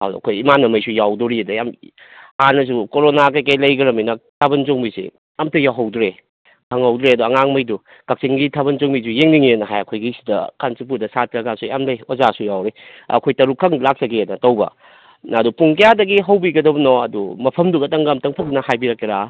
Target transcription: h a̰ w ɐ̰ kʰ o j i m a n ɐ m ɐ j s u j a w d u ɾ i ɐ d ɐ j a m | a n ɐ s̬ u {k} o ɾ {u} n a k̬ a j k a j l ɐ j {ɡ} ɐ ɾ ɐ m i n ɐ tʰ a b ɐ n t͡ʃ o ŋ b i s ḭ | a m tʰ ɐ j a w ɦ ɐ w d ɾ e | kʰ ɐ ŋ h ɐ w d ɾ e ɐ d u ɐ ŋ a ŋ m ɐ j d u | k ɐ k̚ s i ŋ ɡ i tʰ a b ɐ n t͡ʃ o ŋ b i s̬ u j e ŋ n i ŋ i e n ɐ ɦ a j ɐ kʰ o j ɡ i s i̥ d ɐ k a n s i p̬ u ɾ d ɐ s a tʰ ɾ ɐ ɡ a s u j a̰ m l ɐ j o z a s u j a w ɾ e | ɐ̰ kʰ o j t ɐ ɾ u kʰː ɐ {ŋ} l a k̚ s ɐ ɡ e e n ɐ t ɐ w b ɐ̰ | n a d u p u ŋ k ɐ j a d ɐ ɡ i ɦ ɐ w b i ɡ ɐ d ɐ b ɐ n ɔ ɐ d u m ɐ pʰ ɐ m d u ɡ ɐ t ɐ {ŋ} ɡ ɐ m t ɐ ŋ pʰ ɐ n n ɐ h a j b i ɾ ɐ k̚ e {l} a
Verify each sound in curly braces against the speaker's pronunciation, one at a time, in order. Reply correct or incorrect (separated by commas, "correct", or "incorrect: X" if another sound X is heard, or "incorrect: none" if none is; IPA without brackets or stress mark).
correct, incorrect: o, correct, correct, correct, incorrect: ɾ